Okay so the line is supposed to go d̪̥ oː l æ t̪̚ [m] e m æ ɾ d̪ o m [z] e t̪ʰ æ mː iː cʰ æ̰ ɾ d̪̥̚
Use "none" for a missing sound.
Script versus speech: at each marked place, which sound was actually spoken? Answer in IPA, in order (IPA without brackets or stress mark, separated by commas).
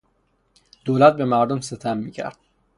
b, s